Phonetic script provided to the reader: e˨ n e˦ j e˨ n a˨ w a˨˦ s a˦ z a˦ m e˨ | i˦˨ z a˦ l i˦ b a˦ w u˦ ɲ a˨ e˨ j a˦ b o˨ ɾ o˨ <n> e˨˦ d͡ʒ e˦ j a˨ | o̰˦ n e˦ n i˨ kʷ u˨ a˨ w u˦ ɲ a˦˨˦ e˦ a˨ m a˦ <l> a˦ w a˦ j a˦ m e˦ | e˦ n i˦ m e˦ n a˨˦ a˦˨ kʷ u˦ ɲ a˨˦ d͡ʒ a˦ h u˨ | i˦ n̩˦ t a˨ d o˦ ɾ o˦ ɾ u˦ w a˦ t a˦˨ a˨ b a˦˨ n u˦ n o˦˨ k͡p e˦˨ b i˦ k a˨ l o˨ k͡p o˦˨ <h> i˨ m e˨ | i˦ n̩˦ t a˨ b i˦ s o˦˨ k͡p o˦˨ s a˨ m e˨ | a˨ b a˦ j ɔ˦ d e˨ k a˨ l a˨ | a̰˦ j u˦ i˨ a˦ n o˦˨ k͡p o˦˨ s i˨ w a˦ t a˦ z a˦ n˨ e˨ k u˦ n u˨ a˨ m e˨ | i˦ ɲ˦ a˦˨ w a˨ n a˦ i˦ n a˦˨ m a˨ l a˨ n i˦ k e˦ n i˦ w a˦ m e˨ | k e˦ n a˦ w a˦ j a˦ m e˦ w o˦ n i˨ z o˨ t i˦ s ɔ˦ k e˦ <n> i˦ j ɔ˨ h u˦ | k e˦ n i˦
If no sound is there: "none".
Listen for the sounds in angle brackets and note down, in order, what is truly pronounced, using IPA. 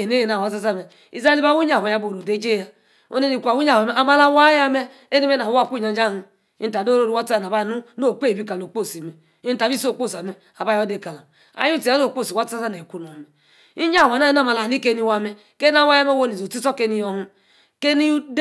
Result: d, l, s, n

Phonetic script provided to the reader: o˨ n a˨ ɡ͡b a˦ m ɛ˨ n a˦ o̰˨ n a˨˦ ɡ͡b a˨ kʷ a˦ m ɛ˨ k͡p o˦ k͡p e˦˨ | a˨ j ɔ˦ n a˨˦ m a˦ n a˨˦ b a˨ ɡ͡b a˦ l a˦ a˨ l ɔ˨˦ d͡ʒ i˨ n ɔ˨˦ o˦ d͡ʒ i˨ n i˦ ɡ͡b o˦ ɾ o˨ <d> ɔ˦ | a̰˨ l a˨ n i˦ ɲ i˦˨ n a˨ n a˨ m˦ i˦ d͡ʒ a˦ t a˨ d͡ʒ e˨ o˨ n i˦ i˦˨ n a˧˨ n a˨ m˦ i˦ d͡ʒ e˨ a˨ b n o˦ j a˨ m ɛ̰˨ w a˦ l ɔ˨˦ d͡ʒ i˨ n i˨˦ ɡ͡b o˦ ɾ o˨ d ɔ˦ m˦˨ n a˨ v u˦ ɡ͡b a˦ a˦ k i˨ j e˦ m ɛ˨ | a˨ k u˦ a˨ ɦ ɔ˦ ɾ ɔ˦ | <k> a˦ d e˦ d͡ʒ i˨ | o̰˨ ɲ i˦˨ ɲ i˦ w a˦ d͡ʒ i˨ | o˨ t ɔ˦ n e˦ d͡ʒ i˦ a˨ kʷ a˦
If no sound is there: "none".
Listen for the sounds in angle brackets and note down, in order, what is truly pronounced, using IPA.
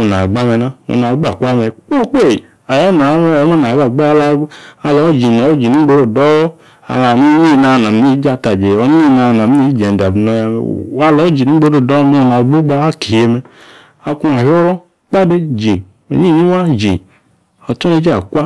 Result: d, k͡p

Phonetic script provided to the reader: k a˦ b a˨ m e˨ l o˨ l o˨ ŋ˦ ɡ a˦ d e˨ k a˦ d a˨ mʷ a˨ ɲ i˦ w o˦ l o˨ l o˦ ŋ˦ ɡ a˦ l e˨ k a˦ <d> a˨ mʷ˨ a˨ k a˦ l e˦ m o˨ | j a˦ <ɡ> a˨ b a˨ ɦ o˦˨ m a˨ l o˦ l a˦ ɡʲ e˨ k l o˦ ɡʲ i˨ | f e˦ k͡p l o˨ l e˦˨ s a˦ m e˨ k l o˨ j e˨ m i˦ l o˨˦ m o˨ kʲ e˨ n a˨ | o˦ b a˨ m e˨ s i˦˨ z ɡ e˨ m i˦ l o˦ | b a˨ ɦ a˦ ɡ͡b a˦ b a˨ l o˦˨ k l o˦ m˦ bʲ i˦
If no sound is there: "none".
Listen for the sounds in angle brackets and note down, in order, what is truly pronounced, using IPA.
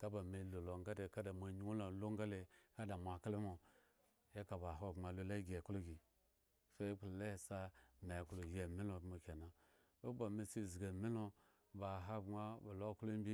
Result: d, k

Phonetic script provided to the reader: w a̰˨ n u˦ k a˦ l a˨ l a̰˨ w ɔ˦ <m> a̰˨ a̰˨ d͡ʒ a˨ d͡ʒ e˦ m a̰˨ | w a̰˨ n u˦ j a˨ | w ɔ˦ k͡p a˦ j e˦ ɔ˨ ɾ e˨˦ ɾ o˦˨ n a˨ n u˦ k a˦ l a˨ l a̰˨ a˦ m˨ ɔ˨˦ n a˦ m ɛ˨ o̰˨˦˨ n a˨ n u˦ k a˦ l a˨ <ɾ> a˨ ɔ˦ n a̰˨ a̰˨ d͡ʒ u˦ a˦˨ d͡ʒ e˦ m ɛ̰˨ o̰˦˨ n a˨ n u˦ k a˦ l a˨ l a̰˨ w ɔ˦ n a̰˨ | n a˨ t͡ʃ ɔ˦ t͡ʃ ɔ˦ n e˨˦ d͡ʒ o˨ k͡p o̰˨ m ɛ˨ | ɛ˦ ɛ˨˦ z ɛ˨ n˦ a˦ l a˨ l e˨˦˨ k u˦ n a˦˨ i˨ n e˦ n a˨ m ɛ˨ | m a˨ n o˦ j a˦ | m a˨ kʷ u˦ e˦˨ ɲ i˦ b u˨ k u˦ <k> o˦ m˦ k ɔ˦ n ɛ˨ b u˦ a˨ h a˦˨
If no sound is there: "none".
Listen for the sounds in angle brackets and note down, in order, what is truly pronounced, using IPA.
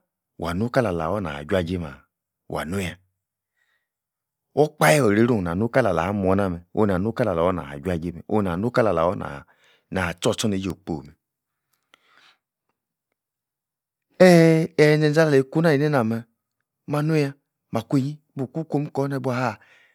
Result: n, l, k

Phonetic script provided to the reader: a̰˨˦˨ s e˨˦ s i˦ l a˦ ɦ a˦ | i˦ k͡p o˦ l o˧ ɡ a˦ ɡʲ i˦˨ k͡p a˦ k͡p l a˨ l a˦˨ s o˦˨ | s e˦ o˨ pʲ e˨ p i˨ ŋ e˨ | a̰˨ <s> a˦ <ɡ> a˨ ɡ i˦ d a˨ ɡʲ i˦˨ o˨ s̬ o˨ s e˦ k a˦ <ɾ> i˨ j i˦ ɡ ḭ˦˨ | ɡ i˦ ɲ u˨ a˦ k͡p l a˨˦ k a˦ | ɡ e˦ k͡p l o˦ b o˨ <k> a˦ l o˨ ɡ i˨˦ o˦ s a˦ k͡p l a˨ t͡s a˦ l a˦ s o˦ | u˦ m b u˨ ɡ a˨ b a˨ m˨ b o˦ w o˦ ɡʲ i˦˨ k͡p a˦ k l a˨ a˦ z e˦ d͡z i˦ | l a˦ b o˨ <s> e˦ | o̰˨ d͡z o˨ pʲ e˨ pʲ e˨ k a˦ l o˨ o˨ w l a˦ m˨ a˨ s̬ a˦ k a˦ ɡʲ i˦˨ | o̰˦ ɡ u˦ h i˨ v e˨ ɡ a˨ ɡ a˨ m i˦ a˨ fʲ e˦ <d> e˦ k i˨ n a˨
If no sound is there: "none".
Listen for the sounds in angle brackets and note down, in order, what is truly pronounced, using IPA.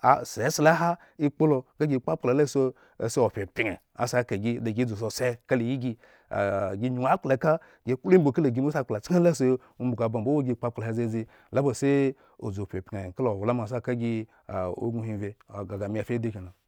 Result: s, k, l, k, s, d

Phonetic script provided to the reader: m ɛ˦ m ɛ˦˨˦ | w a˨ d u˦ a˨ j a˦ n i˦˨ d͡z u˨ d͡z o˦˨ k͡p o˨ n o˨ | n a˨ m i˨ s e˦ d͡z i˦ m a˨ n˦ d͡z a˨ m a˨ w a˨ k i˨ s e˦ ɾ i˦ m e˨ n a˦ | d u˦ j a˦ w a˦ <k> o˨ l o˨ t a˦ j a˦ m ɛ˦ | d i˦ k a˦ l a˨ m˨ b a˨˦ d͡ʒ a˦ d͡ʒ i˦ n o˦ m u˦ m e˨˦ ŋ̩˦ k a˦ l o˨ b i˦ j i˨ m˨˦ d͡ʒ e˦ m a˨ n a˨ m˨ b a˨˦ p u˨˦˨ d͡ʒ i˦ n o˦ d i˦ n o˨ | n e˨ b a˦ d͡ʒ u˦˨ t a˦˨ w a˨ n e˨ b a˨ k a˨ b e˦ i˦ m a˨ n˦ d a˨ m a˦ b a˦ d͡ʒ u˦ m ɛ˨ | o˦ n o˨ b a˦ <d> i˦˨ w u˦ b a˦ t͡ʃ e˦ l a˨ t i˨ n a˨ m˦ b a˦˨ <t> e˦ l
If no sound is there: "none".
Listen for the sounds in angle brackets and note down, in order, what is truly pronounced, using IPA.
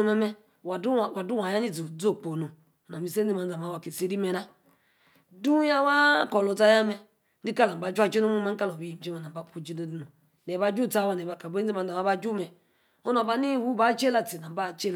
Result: k, n, t͡ʃ

